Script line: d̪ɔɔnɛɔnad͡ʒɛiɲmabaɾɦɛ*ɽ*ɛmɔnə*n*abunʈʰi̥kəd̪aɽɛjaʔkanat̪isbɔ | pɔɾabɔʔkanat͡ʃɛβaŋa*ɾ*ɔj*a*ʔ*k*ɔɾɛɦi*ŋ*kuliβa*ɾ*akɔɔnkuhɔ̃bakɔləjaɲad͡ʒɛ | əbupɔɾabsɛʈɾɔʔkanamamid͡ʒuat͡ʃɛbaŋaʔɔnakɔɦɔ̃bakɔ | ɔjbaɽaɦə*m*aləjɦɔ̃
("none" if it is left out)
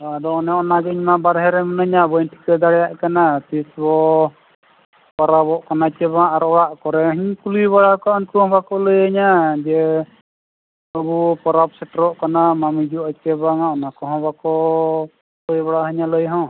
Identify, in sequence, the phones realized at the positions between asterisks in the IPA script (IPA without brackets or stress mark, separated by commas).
ɾ, ɲ, ɾ, a, k, ɲ, ɽ, ɲ